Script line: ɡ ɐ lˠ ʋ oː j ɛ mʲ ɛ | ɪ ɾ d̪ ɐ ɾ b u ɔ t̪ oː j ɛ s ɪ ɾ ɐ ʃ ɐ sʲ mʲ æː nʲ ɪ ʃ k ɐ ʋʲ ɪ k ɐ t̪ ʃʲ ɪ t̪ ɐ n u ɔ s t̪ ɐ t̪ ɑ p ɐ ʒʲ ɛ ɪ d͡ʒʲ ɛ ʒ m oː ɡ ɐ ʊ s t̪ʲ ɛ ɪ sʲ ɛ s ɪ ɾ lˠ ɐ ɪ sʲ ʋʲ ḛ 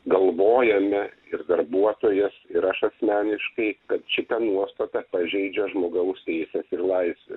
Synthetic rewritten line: ɡ ɐ lˠ ʋ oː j ɛ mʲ ɛ | ɪ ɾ d̪ ɐ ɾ b u ɔ t̪ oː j ɛ s ɪ ɾ ɐ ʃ ɐ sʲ mʲ æː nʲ ɪ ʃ k ɐ ɪ k ɐ t̪ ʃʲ ɪ t̪ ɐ n u ɔ s t̪ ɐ t̪ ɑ p ɐ ʒʲ ɛ ɪ d͡ʒʲ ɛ ʒ m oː ɡ ɐ ʊ s t̪ʲ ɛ ɪ sʲ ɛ s ɪ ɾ lˠ ɐ ɪ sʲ ʋʲ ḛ